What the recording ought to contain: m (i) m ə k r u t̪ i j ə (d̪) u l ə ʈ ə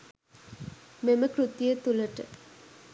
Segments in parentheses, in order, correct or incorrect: incorrect: e, incorrect: t̪

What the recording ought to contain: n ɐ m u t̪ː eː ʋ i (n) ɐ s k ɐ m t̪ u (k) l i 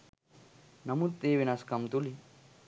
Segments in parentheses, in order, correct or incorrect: correct, incorrect: none

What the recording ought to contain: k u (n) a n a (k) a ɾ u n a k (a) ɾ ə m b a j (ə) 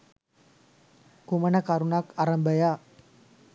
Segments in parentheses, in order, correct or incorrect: incorrect: m, correct, correct, incorrect: a

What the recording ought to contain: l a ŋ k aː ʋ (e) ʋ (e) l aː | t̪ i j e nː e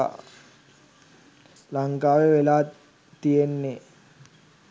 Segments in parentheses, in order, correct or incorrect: correct, correct

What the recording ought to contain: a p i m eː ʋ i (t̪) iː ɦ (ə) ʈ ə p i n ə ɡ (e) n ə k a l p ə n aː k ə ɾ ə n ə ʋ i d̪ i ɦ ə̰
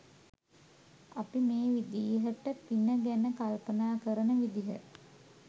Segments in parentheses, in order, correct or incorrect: incorrect: d̪, correct, incorrect: æ

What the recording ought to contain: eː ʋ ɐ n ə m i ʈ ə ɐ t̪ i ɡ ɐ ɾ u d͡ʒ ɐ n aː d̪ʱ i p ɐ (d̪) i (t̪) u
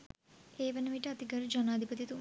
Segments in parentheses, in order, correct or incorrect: incorrect: t̪, correct

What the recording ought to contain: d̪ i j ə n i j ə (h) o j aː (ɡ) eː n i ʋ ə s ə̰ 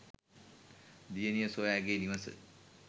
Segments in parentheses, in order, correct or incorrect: incorrect: s, correct

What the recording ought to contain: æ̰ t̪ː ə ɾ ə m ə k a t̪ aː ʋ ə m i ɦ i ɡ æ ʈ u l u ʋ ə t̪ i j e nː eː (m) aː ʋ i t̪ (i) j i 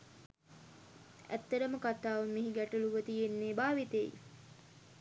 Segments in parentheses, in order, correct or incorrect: incorrect: b, incorrect: e

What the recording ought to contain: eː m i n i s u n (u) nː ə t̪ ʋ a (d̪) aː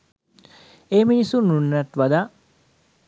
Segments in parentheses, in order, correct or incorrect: correct, correct

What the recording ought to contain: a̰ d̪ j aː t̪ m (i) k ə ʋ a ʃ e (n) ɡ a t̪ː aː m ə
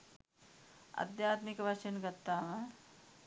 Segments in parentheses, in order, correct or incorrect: correct, correct

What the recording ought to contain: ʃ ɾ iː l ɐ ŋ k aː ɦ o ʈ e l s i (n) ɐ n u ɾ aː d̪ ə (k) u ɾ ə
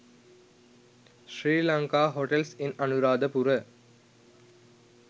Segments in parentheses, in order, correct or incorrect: correct, incorrect: p

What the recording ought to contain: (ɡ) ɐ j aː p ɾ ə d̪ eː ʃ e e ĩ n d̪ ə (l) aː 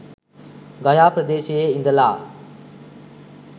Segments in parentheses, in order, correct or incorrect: correct, correct

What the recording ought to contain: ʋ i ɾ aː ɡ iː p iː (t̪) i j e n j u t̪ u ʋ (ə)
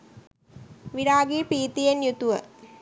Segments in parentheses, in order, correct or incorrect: correct, correct

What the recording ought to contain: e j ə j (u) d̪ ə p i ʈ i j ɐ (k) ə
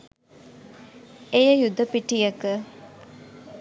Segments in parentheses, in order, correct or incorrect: correct, correct

